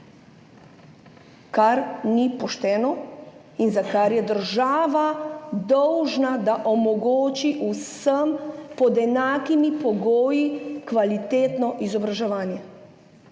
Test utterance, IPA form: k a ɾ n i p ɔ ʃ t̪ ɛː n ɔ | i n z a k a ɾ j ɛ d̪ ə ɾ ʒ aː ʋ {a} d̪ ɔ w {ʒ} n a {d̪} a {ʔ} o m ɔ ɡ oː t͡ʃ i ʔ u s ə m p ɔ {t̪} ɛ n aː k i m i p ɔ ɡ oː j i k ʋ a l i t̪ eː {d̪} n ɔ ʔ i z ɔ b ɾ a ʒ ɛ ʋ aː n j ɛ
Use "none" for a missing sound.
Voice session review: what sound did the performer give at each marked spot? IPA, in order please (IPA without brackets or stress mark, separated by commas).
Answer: a, ʒ, d̪, ʔ, d̪, t̪